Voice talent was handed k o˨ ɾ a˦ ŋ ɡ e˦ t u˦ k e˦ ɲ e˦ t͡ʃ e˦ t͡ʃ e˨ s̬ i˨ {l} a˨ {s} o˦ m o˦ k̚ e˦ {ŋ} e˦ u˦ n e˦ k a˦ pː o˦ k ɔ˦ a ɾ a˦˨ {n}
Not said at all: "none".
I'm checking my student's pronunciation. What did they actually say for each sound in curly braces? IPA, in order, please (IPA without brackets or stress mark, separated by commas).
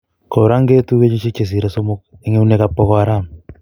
ɾ, s, ŋ, m